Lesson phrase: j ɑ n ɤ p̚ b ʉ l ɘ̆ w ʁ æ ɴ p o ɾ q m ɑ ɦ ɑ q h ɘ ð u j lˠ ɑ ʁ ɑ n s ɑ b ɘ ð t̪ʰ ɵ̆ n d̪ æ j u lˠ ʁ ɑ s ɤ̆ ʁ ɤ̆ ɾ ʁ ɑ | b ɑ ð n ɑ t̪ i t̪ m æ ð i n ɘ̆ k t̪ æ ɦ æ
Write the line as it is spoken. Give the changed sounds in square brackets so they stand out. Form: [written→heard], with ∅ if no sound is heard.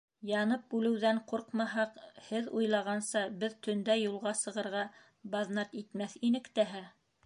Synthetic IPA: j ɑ n ɤ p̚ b ʉ l ɘ̆ w [ʁ→ð] æ ɴ [p→q] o ɾ q m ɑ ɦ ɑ q h ɘ ð u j lˠ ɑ ʁ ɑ n s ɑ b ɘ ð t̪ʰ ɵ̆ n d̪ æ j u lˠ ʁ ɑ s ɤ̆ ʁ ɤ̆ ɾ ʁ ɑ | b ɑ ð n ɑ t̪ i t̪ m æ [ð→θ] i n ɘ̆ k t̪ æ ɦ æ